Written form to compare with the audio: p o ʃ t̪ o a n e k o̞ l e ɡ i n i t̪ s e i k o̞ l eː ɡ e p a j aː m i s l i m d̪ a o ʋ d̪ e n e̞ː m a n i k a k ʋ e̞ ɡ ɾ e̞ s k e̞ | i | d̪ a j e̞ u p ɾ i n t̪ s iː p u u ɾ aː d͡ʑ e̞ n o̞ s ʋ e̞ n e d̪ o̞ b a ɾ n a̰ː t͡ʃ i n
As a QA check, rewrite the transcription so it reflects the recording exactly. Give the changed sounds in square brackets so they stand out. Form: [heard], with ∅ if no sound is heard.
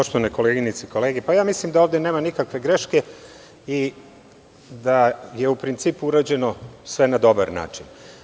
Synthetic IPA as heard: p o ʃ t̪ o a n e k o̞ l e ɡ i n i t̪ s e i k o̞ l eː ɡ e p a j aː m i s l i m d̪ a o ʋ d̪ e n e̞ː m a n i k a k ʋ e̞ ɡ ɾ e̞ [ʃ] k e̞ | i | d̪ a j e̞ u p ɾ i n t̪ s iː p u u ɾ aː d͡ʑ e̞ n o̞ s ʋ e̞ n [a] d̪ o̞ b a ɾ n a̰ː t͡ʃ i n